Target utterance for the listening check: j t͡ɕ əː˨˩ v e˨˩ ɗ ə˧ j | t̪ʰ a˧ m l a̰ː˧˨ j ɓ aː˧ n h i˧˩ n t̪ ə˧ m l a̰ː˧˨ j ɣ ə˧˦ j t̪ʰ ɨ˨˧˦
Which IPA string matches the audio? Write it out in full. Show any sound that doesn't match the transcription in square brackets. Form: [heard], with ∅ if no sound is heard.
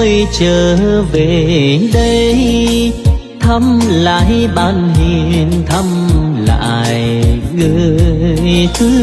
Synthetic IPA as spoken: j t͡ɕ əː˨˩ v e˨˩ ɗ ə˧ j | t̪ʰ [ə˧] m l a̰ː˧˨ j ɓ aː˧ n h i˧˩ n [t̪ʰ] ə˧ m l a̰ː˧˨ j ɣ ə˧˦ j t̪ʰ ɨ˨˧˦